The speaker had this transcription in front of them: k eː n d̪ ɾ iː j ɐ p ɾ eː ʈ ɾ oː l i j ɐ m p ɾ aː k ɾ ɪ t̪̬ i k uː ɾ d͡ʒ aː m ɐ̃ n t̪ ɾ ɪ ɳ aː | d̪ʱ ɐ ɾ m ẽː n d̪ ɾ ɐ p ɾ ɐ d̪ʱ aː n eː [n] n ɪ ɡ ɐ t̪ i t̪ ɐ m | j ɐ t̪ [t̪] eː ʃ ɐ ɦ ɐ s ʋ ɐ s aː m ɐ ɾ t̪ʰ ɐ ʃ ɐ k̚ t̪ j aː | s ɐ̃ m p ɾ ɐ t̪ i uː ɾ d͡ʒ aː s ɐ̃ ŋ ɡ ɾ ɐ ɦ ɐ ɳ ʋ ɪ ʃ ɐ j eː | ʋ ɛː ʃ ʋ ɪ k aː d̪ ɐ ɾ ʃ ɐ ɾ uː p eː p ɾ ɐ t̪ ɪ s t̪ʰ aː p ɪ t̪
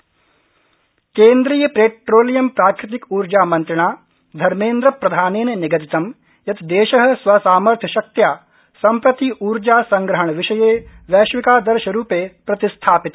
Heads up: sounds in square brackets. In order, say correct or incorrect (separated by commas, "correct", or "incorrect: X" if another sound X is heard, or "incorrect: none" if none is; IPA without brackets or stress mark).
correct, incorrect: d̪